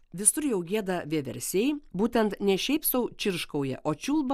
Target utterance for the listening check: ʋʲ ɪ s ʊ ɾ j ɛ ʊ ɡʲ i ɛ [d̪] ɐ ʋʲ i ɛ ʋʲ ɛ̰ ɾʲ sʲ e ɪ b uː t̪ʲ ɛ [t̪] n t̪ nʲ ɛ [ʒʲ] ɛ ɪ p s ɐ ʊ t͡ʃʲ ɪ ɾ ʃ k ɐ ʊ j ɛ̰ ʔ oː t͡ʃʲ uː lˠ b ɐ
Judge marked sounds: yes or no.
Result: yes, no, no

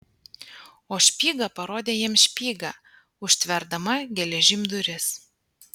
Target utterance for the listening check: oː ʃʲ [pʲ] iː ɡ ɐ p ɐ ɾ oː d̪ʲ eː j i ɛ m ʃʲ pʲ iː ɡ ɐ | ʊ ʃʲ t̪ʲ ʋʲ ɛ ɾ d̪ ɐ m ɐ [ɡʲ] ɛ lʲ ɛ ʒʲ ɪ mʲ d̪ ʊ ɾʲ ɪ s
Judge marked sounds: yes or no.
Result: yes, yes

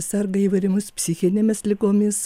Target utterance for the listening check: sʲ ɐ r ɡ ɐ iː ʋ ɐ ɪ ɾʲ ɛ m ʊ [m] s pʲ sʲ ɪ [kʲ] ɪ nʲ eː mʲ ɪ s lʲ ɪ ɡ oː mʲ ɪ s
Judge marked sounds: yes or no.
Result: no, no

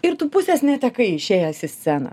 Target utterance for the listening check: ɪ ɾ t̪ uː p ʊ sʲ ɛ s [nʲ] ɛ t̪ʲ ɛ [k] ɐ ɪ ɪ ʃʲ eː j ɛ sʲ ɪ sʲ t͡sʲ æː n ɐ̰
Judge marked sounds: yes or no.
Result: yes, yes

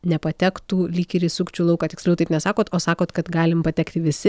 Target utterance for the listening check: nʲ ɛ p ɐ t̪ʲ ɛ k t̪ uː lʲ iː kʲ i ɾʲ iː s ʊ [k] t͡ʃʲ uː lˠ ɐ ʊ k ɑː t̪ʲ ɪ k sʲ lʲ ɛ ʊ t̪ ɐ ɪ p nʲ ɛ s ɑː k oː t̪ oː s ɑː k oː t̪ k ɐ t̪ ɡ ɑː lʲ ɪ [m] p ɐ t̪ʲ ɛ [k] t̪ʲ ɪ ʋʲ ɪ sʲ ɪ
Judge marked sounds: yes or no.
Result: yes, yes, yes

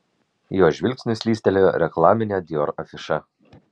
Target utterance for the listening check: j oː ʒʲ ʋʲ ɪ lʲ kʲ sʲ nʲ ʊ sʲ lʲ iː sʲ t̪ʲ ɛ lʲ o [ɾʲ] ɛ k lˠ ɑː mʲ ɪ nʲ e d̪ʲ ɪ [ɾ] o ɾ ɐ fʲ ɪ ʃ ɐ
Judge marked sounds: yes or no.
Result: yes, no

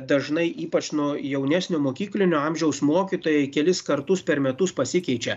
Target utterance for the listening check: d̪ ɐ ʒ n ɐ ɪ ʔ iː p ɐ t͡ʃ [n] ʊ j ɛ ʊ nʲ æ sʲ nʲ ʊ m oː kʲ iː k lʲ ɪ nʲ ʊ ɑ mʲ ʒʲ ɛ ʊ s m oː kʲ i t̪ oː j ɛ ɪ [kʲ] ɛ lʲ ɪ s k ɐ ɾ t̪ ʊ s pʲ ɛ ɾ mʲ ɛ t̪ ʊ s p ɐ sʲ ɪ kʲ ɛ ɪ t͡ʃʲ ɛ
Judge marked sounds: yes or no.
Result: yes, yes

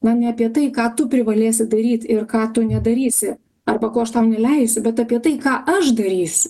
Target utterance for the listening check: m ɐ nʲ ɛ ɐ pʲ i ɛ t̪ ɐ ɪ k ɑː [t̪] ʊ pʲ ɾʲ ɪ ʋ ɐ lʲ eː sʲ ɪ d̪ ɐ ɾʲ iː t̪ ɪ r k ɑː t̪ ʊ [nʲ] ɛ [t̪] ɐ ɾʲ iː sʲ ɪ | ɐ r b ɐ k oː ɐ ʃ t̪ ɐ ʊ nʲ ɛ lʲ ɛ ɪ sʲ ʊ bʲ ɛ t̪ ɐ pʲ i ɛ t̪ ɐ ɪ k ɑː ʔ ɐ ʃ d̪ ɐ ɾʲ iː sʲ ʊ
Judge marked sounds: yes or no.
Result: yes, yes, no

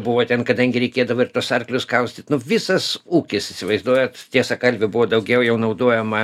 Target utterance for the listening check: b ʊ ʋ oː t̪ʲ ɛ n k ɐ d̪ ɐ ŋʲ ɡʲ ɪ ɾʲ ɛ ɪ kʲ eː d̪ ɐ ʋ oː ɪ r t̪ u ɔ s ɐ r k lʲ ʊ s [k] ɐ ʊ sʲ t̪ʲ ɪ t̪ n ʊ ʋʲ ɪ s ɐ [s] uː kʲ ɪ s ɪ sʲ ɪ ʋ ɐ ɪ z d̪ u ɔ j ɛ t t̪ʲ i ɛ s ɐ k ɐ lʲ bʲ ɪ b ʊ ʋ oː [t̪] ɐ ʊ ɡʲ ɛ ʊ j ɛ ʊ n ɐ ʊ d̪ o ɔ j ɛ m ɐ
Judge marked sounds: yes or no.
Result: yes, yes, no

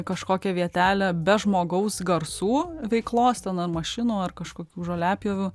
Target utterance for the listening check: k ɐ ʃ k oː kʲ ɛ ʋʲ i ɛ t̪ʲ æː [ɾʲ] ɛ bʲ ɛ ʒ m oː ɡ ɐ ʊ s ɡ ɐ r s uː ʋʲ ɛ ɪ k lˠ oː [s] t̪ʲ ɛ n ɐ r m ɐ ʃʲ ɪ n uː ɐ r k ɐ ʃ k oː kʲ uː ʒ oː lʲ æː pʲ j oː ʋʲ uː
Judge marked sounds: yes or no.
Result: no, yes

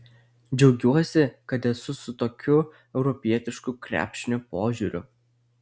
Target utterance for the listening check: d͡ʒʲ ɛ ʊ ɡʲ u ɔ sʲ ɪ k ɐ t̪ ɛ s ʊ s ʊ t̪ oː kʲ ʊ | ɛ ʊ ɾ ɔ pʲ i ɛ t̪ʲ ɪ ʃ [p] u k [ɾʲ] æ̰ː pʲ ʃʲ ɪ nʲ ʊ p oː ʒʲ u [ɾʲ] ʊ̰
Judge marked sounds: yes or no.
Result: no, yes, yes

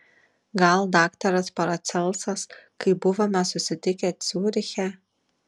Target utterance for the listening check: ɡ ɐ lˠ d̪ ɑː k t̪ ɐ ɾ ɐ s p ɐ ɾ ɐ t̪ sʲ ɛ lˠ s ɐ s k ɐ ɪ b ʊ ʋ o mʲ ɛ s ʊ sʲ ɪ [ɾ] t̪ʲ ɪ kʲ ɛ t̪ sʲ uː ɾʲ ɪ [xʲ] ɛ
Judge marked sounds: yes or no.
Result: no, yes

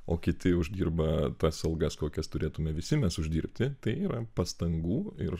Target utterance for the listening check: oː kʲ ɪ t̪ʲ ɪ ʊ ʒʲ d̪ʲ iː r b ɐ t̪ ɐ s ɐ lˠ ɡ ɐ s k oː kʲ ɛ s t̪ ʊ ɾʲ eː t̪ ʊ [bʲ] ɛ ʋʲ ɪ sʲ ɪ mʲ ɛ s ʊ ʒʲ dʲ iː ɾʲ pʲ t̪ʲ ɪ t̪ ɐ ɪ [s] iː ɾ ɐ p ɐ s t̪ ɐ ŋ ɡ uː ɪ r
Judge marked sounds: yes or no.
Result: no, no

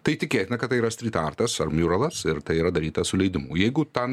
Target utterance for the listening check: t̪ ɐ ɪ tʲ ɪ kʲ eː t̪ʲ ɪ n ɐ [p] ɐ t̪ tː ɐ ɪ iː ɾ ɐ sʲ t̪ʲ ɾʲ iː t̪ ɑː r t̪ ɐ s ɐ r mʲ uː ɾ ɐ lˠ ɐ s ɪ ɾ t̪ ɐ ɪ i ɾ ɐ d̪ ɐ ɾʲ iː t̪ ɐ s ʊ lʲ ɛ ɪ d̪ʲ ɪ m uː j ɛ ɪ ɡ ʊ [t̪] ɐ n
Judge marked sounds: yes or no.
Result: no, yes

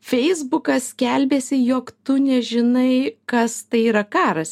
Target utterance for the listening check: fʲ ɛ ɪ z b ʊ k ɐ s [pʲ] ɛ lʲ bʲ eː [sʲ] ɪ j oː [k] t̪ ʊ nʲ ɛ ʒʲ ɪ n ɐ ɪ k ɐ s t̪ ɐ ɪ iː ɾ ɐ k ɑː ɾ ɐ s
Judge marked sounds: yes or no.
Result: no, yes, yes

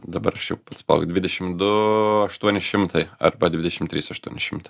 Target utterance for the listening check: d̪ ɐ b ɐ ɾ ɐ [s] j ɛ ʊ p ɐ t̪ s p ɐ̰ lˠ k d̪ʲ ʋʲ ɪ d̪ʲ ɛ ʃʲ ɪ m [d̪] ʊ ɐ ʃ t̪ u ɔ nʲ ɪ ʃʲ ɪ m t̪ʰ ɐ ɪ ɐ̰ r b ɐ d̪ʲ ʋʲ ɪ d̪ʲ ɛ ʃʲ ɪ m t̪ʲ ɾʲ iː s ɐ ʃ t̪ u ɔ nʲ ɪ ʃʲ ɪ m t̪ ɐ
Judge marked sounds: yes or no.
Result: no, yes

